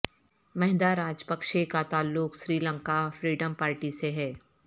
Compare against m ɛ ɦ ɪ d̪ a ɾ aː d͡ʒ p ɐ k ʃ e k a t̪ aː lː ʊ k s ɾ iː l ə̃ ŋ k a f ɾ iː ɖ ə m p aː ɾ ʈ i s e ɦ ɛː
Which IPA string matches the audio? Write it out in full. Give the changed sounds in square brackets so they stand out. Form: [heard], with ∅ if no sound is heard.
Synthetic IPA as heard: m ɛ ɦ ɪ d̪ a ɾ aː d͡ʒ p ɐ k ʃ e k a t̪ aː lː ʊ k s ɾ iː l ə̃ ŋ k a f ɾ iː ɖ ə m p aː ɾ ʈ i s e ɦ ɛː